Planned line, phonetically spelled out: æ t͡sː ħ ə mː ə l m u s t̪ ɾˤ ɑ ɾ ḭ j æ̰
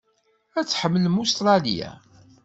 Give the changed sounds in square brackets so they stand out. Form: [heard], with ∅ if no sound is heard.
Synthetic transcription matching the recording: æ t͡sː ħ ə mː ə l m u s t̪ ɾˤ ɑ [l] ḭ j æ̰